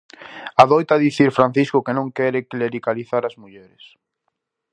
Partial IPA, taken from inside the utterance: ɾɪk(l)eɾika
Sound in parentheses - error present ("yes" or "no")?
no